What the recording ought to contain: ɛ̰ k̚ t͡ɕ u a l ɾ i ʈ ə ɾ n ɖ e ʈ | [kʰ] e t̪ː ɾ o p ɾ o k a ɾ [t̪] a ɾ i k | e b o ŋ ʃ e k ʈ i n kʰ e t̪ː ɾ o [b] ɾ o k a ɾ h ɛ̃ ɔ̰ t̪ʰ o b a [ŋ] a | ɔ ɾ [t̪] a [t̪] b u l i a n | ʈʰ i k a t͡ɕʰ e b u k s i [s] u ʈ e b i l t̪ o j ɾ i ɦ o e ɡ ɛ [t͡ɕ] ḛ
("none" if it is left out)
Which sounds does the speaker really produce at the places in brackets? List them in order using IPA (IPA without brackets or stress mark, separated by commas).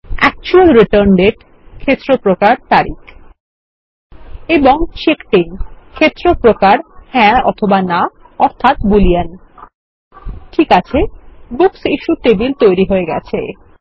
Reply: kʰ, t̪, p, n, t̪ʰ, t̪, ʃ, t͡ɕʰ